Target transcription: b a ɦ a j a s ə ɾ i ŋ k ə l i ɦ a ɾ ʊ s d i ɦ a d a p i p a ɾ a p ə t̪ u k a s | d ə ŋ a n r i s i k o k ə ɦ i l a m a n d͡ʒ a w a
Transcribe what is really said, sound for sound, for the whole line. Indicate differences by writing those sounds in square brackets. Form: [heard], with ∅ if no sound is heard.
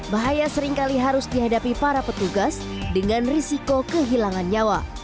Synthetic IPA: b a ɦ a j a s ə ɾ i ŋ k [a] l i ɦ a ɾ ʊ s d i ɦ a d a p i p a ɾ a p ə t̪ u [ɡ] a s | d ə ŋ a n r i s i k o k ə ɦ i l a [ŋ] a n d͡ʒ a w a